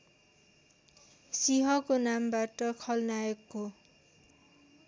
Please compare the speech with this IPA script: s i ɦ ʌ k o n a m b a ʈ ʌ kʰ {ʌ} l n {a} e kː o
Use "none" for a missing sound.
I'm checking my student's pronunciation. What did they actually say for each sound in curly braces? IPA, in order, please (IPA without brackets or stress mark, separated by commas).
ʌ, a